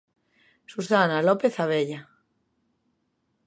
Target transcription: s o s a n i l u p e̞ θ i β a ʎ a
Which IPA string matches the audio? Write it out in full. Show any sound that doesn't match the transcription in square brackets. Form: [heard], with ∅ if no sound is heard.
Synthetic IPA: s [u] s a n [a] l [o] p e̞ θ [a] β [e] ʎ a